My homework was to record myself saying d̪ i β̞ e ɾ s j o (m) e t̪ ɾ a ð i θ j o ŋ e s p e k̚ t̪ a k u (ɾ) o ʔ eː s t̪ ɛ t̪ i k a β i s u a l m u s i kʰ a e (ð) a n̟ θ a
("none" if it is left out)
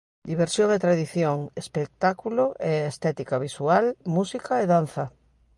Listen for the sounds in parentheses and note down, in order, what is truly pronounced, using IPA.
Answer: ŋ, l, ð

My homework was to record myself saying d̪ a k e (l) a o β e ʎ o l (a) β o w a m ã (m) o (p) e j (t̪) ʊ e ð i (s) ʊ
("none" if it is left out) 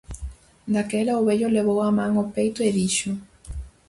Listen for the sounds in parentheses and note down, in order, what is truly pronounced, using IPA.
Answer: l, e, ŋ, p, t̪, ʃ

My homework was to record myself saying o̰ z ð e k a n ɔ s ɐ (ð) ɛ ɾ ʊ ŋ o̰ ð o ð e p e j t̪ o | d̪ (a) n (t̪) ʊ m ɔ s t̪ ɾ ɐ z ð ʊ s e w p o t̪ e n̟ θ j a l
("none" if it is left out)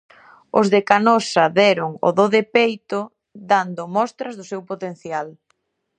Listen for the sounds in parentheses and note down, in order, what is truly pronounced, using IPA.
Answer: ð, a, d̪

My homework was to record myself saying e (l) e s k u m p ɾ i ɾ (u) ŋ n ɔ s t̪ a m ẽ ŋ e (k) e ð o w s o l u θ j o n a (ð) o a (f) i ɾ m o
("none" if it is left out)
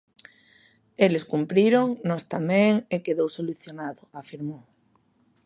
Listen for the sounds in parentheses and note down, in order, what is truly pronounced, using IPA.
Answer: l, o, k, ð, f

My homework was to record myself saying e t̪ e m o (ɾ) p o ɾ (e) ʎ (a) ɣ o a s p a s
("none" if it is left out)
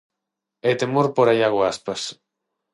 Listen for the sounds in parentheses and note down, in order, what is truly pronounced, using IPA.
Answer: ɾ, a, a

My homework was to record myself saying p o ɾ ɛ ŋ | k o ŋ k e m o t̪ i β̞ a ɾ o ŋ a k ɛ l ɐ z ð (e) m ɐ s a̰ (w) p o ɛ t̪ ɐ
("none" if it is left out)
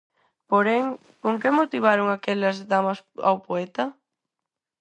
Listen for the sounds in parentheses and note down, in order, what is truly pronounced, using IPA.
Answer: a, w

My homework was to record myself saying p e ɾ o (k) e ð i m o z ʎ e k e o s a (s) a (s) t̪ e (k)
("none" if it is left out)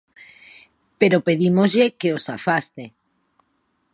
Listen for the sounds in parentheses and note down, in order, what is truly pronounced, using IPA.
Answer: p, f, s, none

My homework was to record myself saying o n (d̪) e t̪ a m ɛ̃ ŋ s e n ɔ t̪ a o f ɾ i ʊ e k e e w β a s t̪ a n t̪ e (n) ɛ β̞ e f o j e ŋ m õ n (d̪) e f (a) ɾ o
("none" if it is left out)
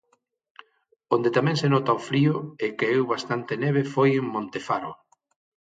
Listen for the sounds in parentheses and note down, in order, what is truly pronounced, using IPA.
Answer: d̪, n, t̪, a

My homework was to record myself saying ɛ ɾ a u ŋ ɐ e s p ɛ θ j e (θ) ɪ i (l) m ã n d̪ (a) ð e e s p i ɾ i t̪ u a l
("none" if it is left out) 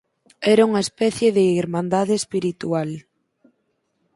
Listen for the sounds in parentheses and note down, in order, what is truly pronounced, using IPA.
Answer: ð, ɾ, a

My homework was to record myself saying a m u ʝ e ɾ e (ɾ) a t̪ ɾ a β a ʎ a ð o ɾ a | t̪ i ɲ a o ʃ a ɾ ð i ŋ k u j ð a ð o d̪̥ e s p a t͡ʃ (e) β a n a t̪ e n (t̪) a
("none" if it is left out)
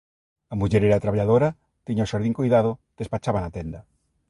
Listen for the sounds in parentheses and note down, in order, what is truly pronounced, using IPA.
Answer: ɾ, a, d̪

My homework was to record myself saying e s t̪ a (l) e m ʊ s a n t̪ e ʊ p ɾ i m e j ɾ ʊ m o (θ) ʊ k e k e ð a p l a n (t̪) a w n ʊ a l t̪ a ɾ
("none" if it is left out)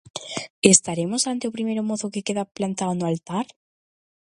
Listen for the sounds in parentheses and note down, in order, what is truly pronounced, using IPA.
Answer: ɾ, θ, t̪

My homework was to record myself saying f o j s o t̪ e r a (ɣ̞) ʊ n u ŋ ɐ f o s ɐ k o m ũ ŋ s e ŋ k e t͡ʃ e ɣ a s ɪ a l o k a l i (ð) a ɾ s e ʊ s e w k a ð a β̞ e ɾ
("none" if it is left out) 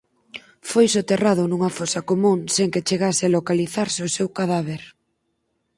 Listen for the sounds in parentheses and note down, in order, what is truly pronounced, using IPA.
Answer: ð̞, θ

